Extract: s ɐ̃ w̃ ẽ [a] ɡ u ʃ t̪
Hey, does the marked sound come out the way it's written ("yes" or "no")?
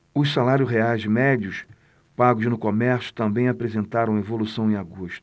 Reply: yes